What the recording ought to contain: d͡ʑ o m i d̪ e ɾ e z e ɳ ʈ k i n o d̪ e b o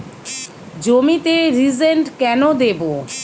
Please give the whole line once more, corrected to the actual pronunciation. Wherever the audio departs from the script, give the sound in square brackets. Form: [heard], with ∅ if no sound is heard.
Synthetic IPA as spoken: d͡ʑ o m i [t̪] e ɾ [i] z e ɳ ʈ k [ɛ] n o d̪ e b o